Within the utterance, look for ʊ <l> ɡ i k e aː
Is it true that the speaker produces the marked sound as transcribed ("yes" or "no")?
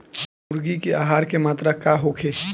no